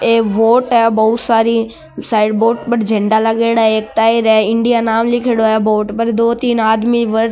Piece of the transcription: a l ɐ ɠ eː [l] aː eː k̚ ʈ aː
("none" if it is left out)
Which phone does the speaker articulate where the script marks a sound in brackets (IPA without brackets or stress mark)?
ɽ